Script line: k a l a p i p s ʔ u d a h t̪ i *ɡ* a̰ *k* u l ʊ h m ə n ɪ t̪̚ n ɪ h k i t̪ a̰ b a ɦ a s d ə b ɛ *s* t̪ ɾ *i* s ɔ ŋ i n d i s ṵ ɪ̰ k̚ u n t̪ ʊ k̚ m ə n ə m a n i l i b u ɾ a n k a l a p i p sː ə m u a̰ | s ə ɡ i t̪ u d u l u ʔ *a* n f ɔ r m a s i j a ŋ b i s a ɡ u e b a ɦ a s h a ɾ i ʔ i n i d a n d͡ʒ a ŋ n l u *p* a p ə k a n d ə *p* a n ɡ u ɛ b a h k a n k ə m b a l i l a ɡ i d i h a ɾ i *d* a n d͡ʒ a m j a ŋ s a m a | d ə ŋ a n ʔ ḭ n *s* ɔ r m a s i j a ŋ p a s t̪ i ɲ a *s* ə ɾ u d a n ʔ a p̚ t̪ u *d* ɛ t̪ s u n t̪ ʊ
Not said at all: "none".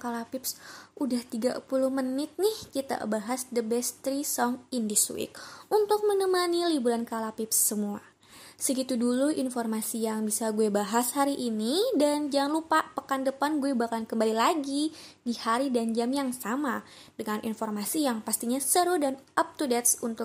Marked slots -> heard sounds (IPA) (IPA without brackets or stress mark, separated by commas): ɡ, p, s, i, i, p, p, d, f, s, d